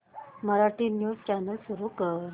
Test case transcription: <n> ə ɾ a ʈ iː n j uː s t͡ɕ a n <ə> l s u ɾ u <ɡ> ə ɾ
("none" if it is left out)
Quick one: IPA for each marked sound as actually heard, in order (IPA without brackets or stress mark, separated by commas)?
m, ə, k